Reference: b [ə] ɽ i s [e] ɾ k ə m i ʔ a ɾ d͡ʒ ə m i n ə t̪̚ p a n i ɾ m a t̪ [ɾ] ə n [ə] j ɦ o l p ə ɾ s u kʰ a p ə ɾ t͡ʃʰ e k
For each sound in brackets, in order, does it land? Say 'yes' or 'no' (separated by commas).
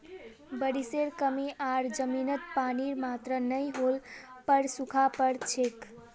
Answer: yes, yes, yes, yes